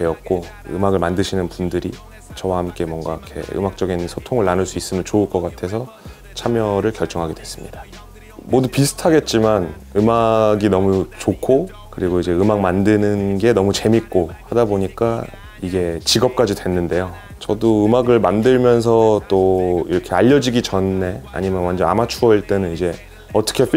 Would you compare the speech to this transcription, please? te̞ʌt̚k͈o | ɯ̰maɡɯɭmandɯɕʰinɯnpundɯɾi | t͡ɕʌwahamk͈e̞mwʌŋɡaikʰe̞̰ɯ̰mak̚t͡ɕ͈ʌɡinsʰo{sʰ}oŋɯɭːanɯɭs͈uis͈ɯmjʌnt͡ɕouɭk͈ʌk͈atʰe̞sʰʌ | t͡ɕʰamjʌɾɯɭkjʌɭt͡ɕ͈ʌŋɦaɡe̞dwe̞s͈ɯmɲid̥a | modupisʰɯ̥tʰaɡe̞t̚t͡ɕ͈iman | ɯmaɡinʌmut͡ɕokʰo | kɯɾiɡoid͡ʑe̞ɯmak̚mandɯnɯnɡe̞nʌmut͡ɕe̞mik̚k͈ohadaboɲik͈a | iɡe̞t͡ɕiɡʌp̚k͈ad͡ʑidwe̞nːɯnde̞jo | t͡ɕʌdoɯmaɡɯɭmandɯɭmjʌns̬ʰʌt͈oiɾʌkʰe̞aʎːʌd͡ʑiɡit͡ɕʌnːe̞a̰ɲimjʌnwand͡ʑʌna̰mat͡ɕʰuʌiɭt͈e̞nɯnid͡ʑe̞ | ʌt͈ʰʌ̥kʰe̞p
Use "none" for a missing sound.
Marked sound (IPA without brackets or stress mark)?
tʰ